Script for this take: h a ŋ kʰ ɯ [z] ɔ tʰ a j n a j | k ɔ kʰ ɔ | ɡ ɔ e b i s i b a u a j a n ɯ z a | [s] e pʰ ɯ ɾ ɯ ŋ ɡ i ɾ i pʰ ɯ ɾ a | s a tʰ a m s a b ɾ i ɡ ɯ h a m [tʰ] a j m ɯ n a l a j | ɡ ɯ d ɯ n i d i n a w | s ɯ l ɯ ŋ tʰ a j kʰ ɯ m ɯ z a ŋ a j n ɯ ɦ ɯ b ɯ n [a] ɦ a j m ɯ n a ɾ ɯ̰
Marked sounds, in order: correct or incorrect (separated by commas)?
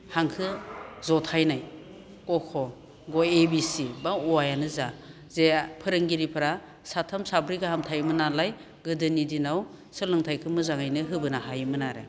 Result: correct, incorrect, correct, correct